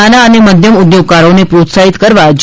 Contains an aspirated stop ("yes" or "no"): no